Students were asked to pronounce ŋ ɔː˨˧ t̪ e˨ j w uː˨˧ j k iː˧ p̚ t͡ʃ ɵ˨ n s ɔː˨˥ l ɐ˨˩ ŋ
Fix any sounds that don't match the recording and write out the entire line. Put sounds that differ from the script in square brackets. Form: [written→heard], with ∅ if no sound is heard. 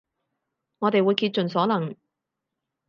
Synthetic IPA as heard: ŋ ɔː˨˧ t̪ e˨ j w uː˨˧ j k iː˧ [p̚→t̚] t͡ʃ ɵ˨ n s ɔː˨˥ l ɐ˨˩ ŋ